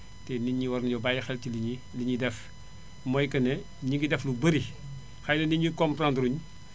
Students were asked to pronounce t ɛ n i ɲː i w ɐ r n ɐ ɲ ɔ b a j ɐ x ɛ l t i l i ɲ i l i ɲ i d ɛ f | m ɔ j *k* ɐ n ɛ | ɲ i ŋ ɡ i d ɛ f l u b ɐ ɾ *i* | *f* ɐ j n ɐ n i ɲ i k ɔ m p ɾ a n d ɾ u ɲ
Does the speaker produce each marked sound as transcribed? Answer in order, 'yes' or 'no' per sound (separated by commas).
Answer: yes, yes, no